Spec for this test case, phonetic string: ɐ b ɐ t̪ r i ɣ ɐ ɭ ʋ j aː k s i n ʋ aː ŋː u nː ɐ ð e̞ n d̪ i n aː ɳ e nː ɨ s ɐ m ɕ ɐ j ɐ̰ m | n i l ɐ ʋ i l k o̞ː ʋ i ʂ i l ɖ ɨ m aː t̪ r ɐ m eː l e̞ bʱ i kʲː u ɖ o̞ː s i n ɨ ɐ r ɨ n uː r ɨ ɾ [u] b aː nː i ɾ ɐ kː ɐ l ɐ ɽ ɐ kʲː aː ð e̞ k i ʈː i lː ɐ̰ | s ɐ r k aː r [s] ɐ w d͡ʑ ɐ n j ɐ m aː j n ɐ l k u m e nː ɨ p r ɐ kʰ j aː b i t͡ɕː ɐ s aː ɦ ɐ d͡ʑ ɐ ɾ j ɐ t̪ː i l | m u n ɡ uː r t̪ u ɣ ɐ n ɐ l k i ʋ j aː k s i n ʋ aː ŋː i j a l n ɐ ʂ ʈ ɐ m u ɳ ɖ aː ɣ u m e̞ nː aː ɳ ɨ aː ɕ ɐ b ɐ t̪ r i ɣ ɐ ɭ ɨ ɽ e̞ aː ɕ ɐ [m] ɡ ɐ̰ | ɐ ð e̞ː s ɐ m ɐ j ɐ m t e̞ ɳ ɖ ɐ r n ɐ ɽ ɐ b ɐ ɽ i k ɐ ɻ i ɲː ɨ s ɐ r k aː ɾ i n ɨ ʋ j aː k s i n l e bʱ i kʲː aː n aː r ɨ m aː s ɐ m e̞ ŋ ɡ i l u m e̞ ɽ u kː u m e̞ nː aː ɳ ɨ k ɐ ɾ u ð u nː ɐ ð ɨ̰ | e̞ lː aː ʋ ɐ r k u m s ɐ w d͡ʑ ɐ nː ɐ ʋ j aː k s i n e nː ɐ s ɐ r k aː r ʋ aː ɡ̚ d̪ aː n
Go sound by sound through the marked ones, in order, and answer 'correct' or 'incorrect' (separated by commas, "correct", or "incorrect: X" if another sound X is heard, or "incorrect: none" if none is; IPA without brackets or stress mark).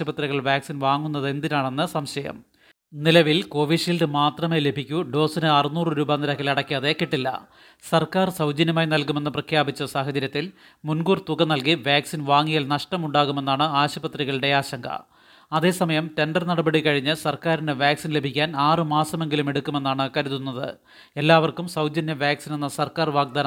incorrect: uː, correct, incorrect: ŋ